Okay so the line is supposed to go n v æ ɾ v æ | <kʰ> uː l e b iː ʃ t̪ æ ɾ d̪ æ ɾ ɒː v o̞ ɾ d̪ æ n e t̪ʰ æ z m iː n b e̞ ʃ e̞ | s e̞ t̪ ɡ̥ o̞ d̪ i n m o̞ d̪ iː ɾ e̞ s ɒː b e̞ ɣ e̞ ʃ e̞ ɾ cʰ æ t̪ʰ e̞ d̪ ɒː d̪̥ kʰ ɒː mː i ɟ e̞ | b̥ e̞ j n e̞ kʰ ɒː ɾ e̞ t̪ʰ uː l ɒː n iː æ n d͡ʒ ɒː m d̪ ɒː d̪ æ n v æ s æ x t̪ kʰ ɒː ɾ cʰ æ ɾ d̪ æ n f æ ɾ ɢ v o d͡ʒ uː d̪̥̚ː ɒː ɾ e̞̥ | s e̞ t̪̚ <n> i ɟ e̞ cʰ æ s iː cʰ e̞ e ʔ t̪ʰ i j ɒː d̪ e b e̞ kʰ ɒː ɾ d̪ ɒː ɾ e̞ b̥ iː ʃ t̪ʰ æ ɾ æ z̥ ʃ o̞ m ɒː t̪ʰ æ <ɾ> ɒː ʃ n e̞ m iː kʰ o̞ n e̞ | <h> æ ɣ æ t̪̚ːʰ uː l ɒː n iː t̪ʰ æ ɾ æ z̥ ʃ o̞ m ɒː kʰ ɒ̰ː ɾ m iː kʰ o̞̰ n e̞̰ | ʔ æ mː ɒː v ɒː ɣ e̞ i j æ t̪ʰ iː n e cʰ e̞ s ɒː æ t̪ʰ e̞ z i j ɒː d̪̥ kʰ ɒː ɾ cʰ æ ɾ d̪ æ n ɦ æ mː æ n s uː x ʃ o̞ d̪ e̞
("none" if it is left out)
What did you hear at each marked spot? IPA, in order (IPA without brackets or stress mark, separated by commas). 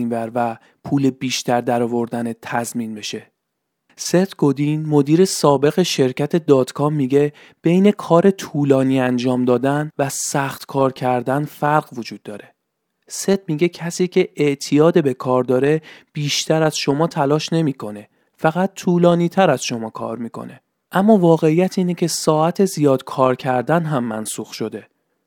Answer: pʰ, m, l, f